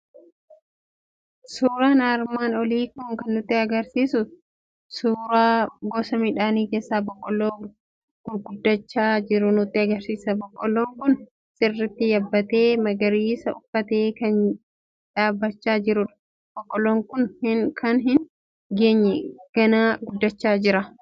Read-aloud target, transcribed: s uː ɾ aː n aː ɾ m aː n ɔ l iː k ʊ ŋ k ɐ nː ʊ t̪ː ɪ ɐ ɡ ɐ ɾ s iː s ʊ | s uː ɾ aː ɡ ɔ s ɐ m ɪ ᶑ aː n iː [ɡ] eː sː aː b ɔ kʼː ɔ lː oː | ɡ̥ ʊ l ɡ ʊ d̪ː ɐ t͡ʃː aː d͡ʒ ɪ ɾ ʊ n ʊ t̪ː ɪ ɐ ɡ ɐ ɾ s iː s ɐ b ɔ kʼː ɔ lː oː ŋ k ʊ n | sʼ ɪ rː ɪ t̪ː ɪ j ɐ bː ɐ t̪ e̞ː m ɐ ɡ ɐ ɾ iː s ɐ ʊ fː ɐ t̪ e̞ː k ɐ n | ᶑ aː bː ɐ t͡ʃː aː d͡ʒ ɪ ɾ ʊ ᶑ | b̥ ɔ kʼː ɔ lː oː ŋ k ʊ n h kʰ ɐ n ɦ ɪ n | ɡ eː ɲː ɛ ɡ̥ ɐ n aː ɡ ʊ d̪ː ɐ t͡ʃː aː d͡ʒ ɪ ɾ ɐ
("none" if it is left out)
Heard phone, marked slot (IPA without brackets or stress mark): k